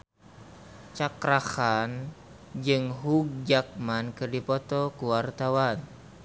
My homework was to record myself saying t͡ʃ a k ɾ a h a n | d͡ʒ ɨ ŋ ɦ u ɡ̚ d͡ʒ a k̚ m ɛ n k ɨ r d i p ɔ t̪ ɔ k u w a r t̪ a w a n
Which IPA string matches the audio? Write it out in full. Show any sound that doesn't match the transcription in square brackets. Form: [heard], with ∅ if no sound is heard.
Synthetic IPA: t͡ʃ a k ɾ a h a n | d͡ʒ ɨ ŋ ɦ u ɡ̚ d͡ʒ a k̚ m [a] n k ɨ r d i p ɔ t̪ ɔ k u w a r t̪ a w a n